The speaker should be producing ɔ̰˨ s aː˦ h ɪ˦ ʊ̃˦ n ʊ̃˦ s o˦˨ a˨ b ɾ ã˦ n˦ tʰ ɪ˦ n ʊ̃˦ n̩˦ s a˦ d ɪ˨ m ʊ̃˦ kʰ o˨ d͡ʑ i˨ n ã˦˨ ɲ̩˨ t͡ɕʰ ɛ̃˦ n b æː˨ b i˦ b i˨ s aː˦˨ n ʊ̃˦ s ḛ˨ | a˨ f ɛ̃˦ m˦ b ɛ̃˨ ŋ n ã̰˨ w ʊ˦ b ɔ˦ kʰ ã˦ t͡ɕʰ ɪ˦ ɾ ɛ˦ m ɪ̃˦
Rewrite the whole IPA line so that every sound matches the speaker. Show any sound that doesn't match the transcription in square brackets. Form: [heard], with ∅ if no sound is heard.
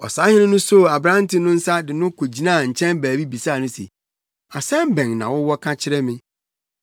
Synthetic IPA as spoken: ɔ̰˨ s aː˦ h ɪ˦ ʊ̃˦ n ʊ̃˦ s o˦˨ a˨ b ɾ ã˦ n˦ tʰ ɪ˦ n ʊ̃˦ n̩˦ s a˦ d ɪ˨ [n] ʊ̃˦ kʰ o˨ d͡ʑ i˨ n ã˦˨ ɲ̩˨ t͡ɕʰ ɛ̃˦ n b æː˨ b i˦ b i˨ s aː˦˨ n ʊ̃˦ s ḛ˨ | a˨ [s] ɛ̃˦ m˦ b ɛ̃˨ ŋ n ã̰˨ w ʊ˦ [w] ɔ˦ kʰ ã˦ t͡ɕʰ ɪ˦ ɾ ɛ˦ m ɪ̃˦

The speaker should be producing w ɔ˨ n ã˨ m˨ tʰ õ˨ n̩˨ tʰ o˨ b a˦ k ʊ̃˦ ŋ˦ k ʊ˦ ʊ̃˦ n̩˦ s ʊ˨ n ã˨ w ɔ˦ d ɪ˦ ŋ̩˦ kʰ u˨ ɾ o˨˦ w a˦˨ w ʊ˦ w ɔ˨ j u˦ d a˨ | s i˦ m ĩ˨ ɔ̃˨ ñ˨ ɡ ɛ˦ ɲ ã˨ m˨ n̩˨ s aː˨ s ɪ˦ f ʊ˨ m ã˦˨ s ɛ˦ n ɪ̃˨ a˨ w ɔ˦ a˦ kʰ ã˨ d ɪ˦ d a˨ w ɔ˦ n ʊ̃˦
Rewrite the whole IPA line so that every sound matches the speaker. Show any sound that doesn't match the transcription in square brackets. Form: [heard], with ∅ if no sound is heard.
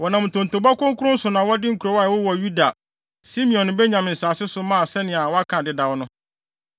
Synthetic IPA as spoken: w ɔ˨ n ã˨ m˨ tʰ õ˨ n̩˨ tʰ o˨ b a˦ k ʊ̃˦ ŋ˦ k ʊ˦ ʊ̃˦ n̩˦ s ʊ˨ n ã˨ w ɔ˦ d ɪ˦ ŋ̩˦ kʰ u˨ ɾ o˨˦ w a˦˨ w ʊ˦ w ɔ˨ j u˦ d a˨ | s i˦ m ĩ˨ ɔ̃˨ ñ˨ [b] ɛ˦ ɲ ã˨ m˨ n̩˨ s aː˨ s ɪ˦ [s] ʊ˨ m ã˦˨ s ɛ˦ n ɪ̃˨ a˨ w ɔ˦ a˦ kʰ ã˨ d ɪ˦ d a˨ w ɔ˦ n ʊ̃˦

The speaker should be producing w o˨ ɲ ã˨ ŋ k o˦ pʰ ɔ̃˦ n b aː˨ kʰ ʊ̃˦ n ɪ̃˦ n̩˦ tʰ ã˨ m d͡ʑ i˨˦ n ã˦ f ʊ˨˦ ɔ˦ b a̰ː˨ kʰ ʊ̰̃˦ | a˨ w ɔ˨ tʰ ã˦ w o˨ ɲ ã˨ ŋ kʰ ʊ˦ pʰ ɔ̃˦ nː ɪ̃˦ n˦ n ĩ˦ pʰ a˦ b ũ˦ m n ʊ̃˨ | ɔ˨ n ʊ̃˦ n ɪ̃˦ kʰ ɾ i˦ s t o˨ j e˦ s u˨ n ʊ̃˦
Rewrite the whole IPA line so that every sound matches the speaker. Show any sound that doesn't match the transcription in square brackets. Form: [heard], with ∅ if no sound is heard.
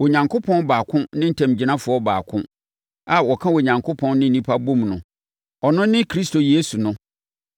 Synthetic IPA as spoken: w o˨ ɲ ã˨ ŋ k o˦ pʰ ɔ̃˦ n b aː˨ kʰ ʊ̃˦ n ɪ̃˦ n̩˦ tʰ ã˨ m d͡ʑ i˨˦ n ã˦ f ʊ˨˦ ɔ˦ b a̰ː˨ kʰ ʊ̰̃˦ | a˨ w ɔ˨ [kʰ] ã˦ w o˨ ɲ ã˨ ŋ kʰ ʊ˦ pʰ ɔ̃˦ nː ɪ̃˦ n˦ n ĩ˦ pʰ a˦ b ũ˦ m n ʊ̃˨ | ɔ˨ n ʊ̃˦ n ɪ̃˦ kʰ ɾ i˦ s t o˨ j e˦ s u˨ n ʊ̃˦

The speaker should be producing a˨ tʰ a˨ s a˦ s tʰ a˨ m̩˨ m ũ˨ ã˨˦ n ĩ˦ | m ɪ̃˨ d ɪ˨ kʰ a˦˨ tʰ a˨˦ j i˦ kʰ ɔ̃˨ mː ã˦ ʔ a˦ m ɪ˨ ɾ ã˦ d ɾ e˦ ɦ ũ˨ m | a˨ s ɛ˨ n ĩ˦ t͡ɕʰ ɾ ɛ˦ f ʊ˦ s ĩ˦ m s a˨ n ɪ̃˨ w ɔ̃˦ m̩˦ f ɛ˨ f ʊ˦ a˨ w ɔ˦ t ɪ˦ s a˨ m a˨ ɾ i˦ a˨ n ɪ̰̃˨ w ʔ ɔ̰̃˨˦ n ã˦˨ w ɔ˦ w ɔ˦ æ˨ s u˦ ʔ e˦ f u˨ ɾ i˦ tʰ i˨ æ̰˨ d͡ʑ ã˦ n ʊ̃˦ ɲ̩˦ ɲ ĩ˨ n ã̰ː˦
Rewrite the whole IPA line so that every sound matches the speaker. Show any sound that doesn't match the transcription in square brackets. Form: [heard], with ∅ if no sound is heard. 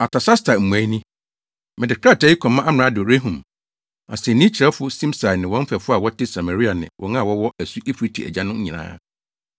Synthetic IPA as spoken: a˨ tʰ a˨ s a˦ s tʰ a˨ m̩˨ m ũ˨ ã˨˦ n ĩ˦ | m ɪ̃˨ d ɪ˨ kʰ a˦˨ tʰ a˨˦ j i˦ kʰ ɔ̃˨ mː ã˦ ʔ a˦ m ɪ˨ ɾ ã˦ d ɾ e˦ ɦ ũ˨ m | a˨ s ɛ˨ n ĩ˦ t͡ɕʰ ɾ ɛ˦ f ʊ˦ s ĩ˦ m s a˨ n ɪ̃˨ w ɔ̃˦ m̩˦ f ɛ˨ f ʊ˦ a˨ w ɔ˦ t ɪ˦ s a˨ m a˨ ɾ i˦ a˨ n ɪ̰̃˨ w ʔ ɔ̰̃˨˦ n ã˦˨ w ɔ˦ w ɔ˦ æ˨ s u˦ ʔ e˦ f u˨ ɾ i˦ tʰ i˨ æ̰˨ d͡ʑ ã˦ n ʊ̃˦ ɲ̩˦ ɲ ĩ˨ n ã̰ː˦

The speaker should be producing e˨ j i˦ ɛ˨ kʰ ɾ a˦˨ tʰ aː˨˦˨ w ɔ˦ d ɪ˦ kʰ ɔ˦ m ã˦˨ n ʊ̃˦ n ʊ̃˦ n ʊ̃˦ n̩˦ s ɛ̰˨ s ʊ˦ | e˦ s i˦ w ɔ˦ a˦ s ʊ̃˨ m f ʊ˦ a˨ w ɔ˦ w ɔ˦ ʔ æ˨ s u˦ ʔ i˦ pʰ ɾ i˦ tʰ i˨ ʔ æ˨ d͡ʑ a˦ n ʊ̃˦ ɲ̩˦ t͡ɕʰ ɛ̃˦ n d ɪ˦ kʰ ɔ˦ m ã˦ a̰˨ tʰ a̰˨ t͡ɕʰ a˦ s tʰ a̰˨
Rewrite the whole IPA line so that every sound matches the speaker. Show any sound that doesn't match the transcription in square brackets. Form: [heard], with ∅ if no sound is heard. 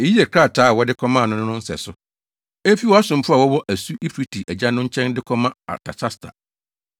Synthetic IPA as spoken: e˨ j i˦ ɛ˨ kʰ ɾ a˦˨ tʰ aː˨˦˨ w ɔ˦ d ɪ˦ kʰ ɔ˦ m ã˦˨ n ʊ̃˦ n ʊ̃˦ n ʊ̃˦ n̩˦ s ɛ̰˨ s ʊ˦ | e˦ [f] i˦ w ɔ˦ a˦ s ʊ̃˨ m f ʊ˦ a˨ w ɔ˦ w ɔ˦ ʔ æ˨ s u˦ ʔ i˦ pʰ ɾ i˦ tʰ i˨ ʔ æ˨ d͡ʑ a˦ n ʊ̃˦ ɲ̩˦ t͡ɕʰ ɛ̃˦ n d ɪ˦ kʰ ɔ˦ m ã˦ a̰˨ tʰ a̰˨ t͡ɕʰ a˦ s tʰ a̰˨

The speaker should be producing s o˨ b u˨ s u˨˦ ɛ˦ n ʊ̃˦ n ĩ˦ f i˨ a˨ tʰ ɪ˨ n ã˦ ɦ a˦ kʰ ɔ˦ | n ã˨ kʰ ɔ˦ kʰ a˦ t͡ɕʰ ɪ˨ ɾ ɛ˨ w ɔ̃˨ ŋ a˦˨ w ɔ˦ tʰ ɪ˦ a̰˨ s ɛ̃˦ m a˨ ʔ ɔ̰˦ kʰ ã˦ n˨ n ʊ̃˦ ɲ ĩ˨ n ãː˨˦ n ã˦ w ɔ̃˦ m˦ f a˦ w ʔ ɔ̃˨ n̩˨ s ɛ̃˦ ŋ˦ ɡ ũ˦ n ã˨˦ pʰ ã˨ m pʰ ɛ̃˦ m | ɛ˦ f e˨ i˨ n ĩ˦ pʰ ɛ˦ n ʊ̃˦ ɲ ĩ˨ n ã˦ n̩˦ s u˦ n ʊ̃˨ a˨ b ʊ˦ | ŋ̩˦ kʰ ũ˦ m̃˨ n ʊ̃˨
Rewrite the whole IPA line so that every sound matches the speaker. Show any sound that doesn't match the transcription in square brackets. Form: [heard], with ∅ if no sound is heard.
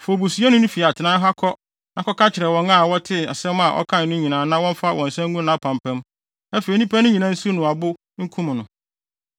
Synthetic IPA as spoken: [f] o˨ b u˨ s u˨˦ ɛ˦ n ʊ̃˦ n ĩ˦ f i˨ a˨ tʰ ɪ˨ n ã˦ ɦ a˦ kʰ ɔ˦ | n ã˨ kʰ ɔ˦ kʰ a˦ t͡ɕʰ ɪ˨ ɾ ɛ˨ w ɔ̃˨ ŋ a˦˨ w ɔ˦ tʰ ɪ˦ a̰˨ s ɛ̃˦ m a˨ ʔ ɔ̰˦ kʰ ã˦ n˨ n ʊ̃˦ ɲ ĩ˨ n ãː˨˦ n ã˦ w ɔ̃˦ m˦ f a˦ w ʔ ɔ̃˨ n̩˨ s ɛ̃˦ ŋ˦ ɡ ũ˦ n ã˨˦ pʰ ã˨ m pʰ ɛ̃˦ m | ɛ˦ f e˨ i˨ n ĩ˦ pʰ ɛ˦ n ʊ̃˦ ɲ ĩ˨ n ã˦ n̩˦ s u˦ n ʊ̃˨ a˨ b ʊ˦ | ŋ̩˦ kʰ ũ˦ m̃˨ n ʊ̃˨

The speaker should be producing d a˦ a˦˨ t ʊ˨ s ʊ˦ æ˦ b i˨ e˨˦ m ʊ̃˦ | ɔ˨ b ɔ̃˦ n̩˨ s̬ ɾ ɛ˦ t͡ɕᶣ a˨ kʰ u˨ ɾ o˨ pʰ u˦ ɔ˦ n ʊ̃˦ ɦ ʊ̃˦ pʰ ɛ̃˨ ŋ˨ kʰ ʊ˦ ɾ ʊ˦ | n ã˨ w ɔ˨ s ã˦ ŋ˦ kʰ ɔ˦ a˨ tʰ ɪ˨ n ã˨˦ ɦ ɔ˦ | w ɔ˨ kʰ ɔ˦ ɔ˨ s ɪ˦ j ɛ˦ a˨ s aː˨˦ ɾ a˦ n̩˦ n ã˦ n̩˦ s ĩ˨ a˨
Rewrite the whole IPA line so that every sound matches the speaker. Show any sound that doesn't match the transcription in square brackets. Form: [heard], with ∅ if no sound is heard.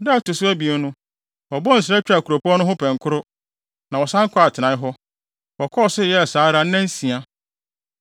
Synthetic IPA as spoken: d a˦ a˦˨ t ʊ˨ s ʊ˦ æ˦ b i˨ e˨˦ [n] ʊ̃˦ | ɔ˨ b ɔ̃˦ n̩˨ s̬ ɾ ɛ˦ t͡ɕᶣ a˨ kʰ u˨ ɾ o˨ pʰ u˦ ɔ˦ n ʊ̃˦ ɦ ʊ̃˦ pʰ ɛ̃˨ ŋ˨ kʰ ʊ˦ ɾ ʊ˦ | n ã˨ w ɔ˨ s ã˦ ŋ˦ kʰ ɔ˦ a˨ tʰ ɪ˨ n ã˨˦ ɦ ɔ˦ | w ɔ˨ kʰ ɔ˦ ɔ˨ s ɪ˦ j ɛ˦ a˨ s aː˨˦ ɾ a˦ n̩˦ n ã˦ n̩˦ s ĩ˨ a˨

